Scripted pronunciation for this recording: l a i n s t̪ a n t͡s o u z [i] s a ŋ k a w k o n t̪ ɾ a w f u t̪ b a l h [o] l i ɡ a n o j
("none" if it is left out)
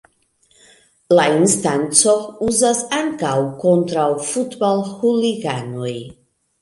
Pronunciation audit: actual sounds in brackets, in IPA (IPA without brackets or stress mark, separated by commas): a, u